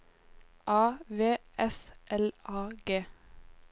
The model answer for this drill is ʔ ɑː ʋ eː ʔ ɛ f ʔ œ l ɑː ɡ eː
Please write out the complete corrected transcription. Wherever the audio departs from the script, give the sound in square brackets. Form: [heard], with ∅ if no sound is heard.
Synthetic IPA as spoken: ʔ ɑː ʋ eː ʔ ɛ [s] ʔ [ɛ] l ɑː ɡ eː